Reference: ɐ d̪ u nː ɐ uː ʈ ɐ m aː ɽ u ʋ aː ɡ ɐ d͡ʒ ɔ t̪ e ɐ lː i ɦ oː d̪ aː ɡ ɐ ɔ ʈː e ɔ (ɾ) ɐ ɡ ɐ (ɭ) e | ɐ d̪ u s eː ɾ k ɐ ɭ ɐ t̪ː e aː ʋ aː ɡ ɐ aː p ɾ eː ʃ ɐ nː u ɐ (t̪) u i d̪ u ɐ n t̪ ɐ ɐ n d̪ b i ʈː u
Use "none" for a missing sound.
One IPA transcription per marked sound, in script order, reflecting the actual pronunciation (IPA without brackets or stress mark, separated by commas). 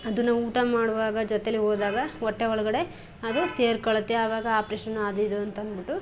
ɭ, ɽ, d̪